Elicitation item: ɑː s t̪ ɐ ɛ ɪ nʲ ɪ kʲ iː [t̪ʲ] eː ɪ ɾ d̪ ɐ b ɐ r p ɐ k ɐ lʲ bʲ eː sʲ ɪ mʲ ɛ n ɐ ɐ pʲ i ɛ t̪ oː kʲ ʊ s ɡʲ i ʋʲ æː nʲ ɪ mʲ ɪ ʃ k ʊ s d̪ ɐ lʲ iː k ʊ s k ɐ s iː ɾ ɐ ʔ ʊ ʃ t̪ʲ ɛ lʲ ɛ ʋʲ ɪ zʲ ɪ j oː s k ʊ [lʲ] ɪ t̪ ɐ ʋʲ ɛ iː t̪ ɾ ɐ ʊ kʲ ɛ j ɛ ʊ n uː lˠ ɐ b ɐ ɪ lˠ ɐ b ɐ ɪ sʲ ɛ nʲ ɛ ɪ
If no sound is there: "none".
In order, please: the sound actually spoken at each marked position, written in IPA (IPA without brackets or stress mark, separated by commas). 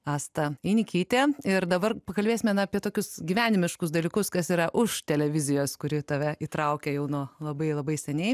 t̪ʲ, ɾʲ